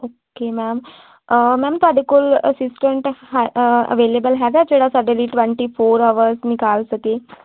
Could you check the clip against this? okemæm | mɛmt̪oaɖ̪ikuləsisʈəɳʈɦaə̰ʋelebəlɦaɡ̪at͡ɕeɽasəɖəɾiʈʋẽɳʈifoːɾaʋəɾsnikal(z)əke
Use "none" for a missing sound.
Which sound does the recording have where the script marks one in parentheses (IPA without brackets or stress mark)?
s